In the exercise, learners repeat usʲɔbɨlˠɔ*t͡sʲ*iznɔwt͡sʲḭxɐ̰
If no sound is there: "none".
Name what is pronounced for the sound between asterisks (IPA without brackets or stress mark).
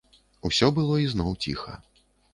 none